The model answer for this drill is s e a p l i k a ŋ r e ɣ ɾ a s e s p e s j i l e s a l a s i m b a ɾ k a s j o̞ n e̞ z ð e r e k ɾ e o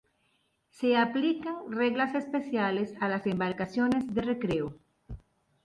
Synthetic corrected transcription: s e a p l i k a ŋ r e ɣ l a s e s p e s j a l e s a l a s e m b a ɾ k a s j o̞ n e̞ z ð e r e k ɾ e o